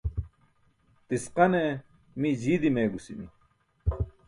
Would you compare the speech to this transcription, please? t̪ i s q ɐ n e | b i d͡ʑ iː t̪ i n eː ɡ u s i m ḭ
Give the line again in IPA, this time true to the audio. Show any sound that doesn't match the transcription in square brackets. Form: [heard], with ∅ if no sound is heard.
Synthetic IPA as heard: t̪ i s q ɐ n e | [m] i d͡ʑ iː [d̪] i [m] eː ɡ u s i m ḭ